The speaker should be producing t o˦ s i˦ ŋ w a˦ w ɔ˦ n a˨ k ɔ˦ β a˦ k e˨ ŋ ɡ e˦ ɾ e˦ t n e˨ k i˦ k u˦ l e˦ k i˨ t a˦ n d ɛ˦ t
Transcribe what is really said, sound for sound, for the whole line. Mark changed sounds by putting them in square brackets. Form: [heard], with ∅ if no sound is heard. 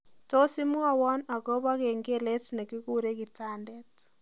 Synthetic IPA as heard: t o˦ s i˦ [m] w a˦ w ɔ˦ n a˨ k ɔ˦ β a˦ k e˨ ŋ ɡ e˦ [l] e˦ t n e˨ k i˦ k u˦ [ɾ] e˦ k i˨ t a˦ n d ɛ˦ t